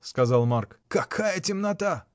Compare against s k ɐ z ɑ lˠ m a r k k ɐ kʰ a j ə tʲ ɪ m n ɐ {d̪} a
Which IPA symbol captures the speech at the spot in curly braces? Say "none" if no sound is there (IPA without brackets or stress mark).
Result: t̪